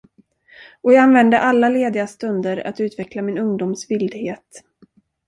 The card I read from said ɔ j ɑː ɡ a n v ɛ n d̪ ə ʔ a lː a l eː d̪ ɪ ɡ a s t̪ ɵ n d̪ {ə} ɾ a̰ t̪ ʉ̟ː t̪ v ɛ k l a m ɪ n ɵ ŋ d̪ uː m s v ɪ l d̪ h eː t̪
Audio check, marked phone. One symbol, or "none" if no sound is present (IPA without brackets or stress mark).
ə